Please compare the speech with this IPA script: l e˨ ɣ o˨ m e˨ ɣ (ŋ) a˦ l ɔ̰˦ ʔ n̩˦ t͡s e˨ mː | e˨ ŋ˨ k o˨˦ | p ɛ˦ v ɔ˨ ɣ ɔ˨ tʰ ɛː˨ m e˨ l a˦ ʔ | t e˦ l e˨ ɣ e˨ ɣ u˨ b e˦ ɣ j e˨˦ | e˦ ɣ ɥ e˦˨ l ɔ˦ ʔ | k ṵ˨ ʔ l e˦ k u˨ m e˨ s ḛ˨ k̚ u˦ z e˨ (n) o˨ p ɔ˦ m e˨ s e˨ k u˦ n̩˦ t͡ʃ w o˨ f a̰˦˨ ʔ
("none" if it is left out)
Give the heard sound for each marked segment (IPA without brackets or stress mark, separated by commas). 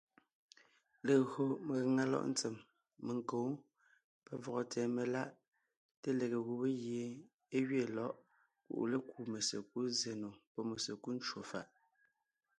ŋ, n